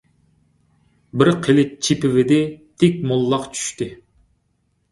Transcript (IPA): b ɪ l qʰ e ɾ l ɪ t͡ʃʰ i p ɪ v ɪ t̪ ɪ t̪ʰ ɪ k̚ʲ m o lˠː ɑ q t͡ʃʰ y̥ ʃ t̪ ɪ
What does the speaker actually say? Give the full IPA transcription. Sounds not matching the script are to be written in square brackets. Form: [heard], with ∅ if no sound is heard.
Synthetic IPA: b ɪ [ɾ] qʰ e [∅] l ɪ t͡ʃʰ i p ɪ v ɪ [d̪] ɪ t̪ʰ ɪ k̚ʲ m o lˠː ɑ q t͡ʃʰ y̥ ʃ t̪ ɪ